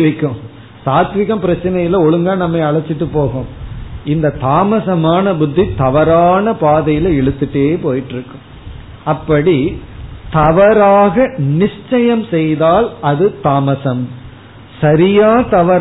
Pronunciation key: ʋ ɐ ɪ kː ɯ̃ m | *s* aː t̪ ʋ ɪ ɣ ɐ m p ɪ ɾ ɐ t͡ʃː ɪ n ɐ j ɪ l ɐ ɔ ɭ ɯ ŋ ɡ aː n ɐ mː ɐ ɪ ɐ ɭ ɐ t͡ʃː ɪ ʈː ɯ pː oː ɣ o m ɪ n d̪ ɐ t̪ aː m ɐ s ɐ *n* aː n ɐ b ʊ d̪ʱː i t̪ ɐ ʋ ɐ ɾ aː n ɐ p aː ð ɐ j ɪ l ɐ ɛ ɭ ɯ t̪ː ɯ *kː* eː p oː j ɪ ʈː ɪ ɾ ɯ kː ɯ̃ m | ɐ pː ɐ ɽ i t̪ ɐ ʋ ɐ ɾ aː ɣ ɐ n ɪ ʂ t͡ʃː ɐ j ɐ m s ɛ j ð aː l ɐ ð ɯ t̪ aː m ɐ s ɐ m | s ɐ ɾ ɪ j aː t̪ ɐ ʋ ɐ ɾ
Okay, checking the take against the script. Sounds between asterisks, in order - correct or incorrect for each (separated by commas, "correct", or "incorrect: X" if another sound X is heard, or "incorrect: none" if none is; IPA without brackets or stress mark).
correct, incorrect: m, incorrect: ʈː